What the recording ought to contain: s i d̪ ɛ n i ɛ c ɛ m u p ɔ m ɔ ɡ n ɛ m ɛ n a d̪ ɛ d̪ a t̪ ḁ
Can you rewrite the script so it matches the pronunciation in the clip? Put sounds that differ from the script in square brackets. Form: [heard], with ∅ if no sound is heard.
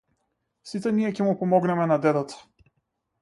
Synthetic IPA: s i [t̪] ɛ n i ɛ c ɛ m u p ɔ m ɔ ɡ n ɛ m ɛ n a d̪ ɛ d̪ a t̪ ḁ